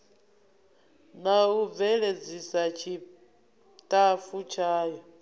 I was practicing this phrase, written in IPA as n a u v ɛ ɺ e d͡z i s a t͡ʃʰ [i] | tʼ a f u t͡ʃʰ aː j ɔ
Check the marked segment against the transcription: correct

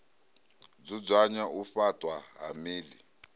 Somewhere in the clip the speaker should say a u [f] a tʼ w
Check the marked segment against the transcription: correct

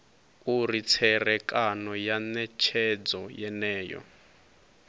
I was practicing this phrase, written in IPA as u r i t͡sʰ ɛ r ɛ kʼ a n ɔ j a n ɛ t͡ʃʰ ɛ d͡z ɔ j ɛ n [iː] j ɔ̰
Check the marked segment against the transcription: incorrect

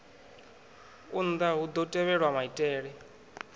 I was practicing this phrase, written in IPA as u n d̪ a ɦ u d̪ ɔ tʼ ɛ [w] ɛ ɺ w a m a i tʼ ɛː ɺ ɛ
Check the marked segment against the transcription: incorrect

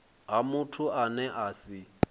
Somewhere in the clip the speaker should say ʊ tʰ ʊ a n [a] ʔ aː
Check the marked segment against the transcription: incorrect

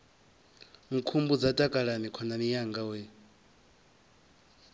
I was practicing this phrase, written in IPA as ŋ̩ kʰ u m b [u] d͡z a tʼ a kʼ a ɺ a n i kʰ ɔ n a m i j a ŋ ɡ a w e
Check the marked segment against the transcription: correct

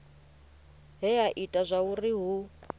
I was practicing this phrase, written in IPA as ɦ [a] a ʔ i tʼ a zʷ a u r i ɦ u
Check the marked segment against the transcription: incorrect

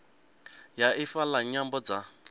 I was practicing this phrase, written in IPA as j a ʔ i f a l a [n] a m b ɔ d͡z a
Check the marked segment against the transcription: incorrect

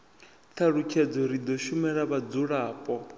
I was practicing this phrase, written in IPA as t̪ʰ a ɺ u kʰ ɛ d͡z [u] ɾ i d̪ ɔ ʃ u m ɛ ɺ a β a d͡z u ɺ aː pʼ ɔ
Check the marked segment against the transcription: incorrect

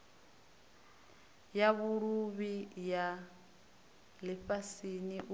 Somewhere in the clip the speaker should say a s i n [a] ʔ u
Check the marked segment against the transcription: incorrect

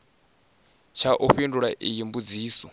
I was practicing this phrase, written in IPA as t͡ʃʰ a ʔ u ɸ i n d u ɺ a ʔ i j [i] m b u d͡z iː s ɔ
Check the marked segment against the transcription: correct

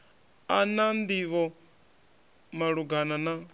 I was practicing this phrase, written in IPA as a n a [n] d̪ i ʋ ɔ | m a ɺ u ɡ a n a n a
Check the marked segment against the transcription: correct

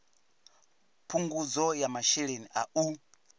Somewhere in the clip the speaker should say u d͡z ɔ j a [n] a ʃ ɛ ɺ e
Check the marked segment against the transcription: incorrect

